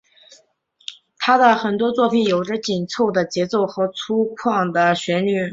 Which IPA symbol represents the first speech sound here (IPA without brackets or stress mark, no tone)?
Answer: t̪ʰ